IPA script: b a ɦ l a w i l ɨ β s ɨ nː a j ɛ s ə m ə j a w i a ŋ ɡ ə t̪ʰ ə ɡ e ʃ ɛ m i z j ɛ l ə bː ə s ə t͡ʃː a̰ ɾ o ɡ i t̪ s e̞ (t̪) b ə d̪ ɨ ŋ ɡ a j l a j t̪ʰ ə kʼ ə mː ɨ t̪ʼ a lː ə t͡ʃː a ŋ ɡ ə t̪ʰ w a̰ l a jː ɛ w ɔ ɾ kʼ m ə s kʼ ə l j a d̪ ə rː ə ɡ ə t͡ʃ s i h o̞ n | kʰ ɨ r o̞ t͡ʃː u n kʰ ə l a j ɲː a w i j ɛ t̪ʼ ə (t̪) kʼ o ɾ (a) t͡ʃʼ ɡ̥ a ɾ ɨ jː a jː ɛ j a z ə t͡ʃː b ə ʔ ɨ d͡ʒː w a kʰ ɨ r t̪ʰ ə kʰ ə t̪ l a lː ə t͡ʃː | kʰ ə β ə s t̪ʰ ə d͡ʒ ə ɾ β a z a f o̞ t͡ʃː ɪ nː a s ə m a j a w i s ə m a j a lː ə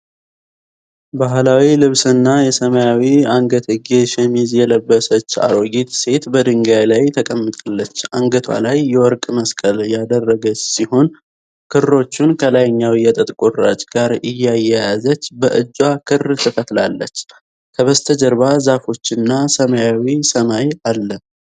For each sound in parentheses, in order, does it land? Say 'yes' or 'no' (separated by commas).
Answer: yes, no, yes